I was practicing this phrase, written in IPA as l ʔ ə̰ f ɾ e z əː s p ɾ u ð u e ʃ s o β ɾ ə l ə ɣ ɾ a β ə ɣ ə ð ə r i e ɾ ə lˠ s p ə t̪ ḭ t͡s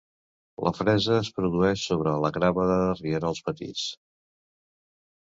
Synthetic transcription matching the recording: l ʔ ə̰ f ɾ ɛ z əː s p ɾ u ð u ɛ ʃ s o β ɾ ə l ə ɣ ɾ a β ə ð ə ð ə r i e ɾ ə lˠ s p ə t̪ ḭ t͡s

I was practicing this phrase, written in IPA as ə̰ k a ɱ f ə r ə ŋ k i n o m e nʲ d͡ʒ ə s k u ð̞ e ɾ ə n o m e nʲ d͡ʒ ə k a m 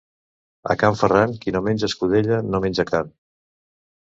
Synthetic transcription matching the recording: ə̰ k a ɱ f ə r a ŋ k i n o m e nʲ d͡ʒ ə s k u ð̞ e ʎ ə n o m e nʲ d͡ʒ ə k a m

